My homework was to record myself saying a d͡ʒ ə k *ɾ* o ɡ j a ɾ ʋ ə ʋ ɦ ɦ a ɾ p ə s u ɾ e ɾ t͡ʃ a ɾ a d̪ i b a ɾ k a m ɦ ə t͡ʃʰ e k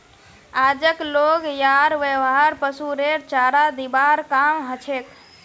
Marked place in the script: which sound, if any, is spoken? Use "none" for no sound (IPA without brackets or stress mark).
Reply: l